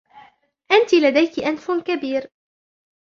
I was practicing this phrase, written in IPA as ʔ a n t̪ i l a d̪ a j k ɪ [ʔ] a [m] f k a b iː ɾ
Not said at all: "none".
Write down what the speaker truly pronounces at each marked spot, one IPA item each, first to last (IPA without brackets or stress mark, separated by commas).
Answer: ʔ, n